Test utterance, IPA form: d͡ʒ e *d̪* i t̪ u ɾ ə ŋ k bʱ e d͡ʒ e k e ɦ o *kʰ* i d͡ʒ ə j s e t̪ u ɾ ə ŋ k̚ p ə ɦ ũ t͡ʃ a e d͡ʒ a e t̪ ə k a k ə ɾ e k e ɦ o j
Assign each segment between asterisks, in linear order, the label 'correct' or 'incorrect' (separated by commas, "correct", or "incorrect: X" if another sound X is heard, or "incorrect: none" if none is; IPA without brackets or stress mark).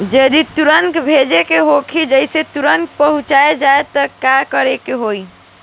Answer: correct, correct